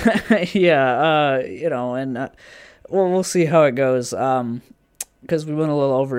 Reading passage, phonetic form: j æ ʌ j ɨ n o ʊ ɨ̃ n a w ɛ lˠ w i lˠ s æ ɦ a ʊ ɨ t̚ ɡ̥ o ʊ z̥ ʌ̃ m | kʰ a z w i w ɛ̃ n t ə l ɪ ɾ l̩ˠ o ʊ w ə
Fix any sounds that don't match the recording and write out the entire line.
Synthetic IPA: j æ ʌ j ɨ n o ʊ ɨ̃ n ʌ w ɛ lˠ w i lˠ s i ɦ a ʊ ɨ t̚ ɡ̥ o ʊ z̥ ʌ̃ m | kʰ ʌ z w i w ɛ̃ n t ə l ɪ ɾ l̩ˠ o ʊ v ə